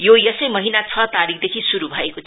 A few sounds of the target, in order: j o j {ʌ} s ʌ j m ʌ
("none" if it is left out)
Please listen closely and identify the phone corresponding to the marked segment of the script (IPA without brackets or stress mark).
ʌ